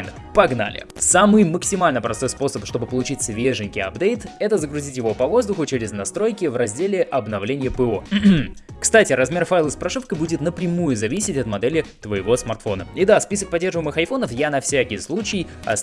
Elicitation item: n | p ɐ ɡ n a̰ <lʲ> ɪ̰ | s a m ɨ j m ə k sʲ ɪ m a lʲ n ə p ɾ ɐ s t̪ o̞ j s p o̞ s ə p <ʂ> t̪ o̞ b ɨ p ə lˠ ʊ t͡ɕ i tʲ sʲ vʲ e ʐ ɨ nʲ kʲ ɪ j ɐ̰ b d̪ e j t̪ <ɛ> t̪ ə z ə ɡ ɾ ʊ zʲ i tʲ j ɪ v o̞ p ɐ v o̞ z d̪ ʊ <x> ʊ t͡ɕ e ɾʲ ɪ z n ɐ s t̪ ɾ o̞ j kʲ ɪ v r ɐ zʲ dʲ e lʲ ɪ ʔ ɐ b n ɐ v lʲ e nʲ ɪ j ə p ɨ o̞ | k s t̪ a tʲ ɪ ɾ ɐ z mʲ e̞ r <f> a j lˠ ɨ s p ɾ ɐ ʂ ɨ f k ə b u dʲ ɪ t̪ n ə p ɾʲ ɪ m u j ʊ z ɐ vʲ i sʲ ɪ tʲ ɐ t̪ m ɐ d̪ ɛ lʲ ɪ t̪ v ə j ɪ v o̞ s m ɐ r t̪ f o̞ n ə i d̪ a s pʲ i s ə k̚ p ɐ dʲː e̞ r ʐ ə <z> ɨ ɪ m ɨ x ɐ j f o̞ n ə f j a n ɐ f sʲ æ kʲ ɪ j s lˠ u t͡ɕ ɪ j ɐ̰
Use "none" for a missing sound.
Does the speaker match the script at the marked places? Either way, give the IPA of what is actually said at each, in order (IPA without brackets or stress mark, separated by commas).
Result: lʲ, ʂ, ɛ, x, f, v